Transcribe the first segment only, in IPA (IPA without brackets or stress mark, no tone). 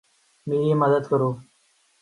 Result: m